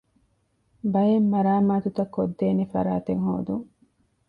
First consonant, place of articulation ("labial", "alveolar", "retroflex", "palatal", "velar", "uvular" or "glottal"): labial